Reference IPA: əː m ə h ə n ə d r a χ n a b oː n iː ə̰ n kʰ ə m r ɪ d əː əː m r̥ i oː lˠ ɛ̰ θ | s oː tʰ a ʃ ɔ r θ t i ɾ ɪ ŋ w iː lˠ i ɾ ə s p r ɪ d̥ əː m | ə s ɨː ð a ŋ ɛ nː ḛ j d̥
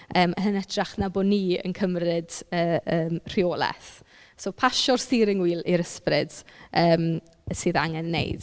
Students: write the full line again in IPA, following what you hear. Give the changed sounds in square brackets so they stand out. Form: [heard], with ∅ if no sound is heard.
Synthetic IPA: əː m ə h ə n ə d r a χ n a b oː n iː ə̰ n kʰ ə m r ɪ d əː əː m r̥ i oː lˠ ɛ̰ θ | s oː [pʰ] a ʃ ɔ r [s] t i ɾ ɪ ŋ w iː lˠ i ɾ ə s p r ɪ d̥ əː m | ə s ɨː ð a ŋ ɛ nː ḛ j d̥

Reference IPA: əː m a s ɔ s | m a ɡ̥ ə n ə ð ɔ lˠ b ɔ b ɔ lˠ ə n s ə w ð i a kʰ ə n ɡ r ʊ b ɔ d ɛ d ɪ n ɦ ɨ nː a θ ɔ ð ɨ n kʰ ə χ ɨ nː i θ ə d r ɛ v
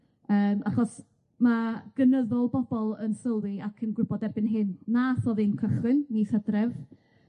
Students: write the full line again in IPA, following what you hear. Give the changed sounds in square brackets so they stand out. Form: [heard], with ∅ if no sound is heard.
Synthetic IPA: əː m a [χ] ɔ s | m a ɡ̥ ə n ə ð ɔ lˠ b ɔ b ɔ lˠ ə n s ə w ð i a kʰ ə n ɡ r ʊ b ɔ d ɛ [b] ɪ n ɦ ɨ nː a θ ɔ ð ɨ n kʰ ə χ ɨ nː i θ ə d r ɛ v

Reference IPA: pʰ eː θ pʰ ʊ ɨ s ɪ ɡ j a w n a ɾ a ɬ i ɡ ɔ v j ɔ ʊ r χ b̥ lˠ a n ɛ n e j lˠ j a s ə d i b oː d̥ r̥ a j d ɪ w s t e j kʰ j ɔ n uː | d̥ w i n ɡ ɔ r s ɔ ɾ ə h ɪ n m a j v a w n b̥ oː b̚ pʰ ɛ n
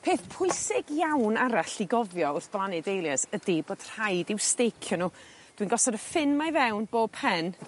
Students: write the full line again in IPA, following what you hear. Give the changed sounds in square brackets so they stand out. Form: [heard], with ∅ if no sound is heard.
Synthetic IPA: pʰ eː θ pʰ ʊ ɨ s ɪ ɡ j a w n a ɾ a ɬ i ɡ ɔ v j ɔ ʊ r [θ] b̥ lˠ a n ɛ [d] e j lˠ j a s ə d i b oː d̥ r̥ a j d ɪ w s t e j kʰ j ɔ n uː | d̥ w i n ɡ ɔ [∅] s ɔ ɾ ə [f] ɪ n m a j v [ɛ] w n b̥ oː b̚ pʰ ɛ n

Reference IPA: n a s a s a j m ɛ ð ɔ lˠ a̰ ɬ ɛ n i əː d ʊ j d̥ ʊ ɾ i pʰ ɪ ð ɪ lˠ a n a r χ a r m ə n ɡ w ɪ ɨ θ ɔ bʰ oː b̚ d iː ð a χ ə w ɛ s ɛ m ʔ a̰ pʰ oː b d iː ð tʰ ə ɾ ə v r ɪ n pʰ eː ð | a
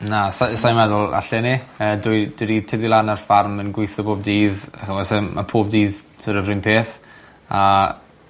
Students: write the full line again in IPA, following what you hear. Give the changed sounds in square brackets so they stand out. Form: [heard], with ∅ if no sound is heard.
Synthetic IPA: n a s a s a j m ɛ ð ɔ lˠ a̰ ɬ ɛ n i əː d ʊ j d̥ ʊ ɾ i [tʰ] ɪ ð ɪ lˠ a n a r [f] a r m ə n ɡ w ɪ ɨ θ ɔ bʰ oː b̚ d iː ð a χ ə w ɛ s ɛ m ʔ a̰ pʰ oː b d iː ð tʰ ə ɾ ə v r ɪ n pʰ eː [θ] | a

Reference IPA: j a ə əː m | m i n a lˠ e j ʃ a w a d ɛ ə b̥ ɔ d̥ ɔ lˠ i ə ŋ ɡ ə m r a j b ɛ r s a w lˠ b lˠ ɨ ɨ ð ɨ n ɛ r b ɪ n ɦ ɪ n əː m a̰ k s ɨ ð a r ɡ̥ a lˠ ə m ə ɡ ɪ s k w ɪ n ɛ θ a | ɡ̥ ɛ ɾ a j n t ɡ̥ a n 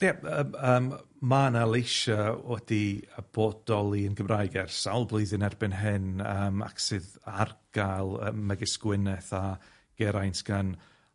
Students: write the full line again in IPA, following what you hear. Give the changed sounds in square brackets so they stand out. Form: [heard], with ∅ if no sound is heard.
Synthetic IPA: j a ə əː m | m [a] n a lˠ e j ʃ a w [ɛ] d [i] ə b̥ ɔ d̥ ɔ lˠ i ə [n] ɡ ə m r a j [ɡ] ɛ r s a w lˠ b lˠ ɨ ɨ ð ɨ n ɛ r b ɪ n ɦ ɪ n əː m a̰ k s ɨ ð a r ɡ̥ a lˠ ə m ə ɡ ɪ s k w ɪ n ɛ θ a | ɡ̥ ɛ ɾ a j n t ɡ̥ a n

